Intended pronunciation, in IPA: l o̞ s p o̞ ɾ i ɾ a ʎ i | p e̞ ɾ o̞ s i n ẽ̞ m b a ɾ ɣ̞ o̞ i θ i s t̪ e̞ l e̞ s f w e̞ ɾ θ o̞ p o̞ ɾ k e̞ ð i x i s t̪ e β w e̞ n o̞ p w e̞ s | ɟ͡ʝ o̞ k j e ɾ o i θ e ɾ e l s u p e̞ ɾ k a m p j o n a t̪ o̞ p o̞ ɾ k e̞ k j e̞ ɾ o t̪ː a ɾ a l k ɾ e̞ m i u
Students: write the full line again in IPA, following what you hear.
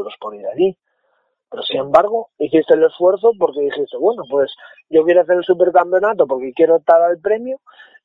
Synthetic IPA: ɾ o̞ s p o̞ ɾ i ɾ a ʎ i | p e̞ ɾ o̞ s i n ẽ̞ m b a ɾ ɣ̞ o̞ i θ i s t̪ e̞ l e̞ s f w e̞ ɾ θ o̞ p o̞ ɾ k e̞ ð i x i s t̪ e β w e̞ n o̞ p w e̞ s | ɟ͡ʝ o̞ k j e ɾ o a θ e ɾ e l s u p e̞ ɾ k a m p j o n a t̪ o̞ p o̞ ɾ k e̞ k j e̞ ɾ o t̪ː a ɾ a l p ɾ e̞ m j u